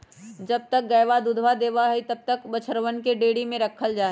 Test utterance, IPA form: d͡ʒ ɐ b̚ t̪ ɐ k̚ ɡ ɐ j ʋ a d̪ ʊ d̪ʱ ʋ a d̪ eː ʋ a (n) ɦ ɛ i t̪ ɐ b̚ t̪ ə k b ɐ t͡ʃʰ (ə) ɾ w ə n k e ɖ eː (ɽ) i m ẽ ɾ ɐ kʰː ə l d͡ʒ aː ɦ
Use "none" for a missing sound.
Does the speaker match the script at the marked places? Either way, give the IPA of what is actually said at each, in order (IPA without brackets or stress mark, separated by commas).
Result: none, ə, ɽ